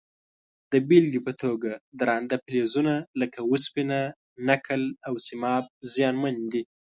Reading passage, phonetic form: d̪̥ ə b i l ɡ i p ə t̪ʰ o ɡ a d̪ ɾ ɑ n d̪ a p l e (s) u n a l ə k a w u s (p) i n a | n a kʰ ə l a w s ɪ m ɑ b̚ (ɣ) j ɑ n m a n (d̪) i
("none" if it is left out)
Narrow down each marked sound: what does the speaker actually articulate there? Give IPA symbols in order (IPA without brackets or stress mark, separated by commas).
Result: z, p, z, d̪